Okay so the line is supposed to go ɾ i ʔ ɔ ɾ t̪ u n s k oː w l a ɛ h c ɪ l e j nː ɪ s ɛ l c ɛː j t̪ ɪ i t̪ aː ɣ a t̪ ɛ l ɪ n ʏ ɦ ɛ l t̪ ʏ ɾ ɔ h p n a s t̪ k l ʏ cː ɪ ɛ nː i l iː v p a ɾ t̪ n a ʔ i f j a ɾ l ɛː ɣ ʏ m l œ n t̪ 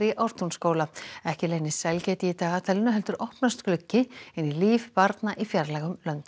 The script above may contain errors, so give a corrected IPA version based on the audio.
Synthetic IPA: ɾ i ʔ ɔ ɾ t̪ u n s k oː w l a ɛ h c ɪ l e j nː ɪ s ɛ l c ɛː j t̪ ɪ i t̪ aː ɣ a t̪ʰ ɛ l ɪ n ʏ ɦ ɛ l t̪ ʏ ɾ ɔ h p n a s t̪ k l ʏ cː ɪ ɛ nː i l iː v p a ɾ t̪ n a ʔ i f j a ɾ l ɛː ɣ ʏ m l œ n t̪